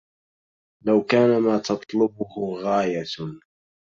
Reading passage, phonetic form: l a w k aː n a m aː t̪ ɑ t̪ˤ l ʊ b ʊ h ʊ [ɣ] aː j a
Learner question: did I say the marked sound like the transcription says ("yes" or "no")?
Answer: yes